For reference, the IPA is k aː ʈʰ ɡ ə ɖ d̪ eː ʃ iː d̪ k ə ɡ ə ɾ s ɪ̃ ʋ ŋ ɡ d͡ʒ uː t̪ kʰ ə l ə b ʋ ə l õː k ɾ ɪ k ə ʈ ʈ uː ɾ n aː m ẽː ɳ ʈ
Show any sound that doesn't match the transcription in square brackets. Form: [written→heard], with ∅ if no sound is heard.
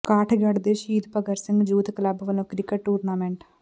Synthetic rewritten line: k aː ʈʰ ɡ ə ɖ d̪ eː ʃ iː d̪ [k→p] ə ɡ ə ɾ s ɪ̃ [ʋ→∅] ŋ ɡ d͡ʒ uː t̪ [kʰ→k] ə l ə b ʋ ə l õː k ɾ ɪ k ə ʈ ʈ uː ɾ n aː m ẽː ɳ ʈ